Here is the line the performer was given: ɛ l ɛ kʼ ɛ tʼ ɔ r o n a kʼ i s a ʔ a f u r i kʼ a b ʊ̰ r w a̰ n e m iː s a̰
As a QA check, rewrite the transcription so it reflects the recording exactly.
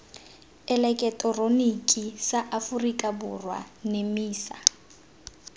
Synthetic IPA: ɛ l ɛ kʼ ɛ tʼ ɔ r o n i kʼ i s a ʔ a f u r i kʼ a b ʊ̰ r w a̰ n e m iː s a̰

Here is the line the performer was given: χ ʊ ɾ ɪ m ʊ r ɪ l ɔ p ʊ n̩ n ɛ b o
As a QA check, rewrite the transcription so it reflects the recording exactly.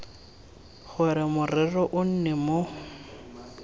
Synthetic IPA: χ ʊ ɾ ɪ m ʊ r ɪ r ɔ ʔ ʊ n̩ n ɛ m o

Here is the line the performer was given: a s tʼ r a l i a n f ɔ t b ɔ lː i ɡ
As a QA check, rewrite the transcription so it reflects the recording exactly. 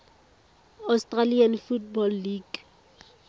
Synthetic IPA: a s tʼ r a l i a n f u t b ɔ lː i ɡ

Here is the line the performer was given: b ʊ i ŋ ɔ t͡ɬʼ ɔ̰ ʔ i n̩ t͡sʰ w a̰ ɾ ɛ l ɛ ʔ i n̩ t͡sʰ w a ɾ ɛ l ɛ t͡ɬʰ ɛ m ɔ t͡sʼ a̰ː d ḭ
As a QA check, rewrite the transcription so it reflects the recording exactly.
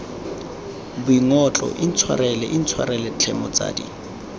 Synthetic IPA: b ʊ i ŋ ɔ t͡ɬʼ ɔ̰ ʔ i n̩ t͡sʰ w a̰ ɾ ɛ l ɛ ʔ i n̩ t͡sʰ w a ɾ ɛ l ɛ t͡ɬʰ ɛ m ɔ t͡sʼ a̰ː d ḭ

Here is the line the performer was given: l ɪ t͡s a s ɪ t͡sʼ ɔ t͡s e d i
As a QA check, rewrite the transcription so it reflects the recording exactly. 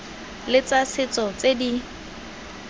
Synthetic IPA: l ɪ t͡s a s ɪ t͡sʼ ɔ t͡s e d i

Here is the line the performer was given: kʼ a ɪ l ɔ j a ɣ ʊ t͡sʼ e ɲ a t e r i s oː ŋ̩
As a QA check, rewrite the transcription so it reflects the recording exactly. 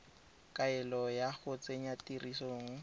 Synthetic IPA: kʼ a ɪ l ɔ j a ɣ ʊ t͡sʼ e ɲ a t i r i s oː ŋ̩

